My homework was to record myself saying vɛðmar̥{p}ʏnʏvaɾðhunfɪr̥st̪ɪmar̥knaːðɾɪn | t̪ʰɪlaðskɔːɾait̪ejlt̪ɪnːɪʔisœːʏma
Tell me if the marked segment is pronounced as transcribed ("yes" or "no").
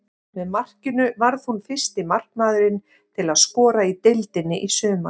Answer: no